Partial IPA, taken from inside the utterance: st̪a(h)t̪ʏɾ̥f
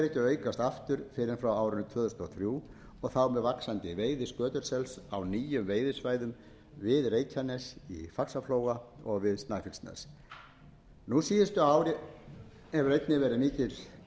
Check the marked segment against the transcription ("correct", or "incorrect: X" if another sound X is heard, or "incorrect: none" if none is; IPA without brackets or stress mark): incorrect: f